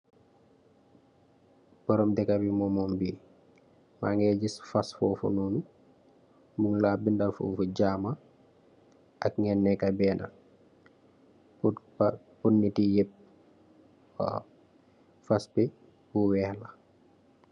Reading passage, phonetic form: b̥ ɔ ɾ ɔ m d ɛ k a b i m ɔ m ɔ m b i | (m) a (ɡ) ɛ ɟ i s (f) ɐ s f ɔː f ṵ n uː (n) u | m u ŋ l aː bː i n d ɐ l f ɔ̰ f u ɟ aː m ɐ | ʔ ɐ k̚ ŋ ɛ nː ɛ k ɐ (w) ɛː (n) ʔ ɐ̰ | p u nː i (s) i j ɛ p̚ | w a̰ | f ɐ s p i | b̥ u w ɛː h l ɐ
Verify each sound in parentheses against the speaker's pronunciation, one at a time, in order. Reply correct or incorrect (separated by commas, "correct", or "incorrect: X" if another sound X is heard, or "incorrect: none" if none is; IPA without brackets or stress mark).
correct, incorrect: ŋ, correct, correct, incorrect: b, correct, incorrect: t